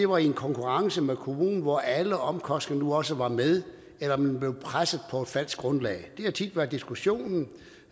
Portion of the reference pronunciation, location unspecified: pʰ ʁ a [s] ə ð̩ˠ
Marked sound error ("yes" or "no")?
no